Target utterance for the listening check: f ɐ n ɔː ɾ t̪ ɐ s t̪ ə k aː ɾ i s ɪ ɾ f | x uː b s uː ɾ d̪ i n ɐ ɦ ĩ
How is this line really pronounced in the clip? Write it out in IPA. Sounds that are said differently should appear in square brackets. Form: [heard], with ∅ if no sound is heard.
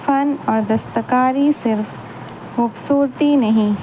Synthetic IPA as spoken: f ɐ n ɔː ɾ [d̪] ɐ s t̪ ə k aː ɾ i s ɪ ɾ f | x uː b s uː ɾ [t̪] i n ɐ ɦ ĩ